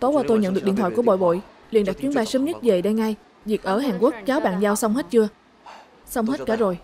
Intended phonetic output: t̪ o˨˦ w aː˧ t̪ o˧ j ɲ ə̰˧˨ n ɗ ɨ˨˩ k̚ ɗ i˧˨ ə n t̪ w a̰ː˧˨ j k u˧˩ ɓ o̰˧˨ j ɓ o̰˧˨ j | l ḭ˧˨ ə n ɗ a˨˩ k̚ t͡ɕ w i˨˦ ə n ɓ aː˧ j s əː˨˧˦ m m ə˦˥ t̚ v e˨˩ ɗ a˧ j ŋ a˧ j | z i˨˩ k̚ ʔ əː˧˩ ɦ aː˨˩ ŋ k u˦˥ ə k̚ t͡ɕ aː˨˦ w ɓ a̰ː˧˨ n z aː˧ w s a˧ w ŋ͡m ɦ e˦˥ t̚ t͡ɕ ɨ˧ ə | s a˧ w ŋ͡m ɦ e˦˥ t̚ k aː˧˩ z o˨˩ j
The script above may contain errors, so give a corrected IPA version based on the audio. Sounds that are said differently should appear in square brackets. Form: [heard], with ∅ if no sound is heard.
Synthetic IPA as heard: t̪ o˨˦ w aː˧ t̪ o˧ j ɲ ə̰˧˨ n ɗ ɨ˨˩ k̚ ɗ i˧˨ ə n t̪ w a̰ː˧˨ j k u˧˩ ɓ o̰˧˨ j ɓ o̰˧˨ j | l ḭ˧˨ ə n ɗ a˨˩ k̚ t͡ɕ w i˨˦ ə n ɓ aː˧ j s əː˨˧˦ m [ɲ] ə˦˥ t̚ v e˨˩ ɗ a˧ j ŋ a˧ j | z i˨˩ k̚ ʔ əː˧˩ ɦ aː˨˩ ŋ k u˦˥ ə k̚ t͡ɕ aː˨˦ w ɓ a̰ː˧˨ n z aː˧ w s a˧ w ŋ͡m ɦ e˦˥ t̚ t͡ɕ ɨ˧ ə | s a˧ w ŋ͡m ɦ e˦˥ t̚ k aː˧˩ z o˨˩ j

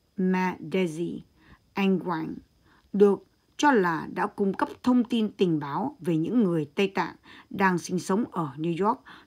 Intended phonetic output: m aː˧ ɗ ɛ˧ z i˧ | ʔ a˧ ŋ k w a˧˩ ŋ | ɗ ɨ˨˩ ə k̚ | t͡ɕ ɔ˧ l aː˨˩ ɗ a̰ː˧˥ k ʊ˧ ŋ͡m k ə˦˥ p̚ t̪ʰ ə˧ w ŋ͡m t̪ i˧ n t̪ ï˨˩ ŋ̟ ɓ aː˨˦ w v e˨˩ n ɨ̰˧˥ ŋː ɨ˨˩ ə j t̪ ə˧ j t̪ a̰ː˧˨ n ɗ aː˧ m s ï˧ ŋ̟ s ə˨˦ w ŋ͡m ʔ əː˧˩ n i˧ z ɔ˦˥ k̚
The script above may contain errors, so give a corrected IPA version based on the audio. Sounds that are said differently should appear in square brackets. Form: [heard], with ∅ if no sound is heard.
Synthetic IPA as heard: m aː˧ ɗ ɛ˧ z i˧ | ʔ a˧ ŋ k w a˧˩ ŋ | ɗ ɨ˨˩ ə k̚ | t͡ɕ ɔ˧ l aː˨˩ ɗ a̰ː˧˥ k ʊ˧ ŋ͡m k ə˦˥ p̚ t̪ʰ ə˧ w ŋ͡m t̪ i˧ n t̪ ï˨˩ ŋ̟ ɓ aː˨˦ w v e˨˩ [ɲ] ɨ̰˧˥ ŋː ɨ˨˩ ə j t̪ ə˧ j t̪ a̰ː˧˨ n ɗ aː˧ [ŋ] s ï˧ ŋ̟ s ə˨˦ w ŋ͡m ʔ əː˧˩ n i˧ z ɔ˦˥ k̚

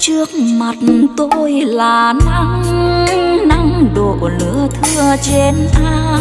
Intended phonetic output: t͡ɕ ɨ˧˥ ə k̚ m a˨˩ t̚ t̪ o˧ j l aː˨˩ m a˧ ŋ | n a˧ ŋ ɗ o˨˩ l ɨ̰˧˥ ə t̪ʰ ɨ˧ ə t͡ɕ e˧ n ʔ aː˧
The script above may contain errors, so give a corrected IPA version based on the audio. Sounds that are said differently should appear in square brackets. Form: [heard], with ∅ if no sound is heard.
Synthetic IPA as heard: t͡ɕ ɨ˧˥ ə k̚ m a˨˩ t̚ t̪ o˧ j l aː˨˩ [n] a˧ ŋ | n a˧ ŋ ɗ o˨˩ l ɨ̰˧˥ ə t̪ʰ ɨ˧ ə t͡ɕ e˧ n ʔ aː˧

